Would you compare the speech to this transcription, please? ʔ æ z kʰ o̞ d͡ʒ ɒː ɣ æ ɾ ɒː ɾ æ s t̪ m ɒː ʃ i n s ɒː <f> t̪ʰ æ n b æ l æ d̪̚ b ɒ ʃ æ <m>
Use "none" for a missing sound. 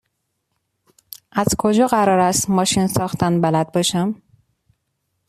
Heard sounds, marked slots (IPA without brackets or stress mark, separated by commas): x, m